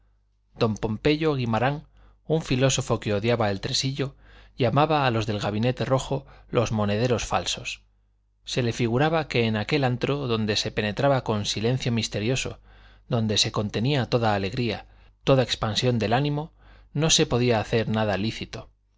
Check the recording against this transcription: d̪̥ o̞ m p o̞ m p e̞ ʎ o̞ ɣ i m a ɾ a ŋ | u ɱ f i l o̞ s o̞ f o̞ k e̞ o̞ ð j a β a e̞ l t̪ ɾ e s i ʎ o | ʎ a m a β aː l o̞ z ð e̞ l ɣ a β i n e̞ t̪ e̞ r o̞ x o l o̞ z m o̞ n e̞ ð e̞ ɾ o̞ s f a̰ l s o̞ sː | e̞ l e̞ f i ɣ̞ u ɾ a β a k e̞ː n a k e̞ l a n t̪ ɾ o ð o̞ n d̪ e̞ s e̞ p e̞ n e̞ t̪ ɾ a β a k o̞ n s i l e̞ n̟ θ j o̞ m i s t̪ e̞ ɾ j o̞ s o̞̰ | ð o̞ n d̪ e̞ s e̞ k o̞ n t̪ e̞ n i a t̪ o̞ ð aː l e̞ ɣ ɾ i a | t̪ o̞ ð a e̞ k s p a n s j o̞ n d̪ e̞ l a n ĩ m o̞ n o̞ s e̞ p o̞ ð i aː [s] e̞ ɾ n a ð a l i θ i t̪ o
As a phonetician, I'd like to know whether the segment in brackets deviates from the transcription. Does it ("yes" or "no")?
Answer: yes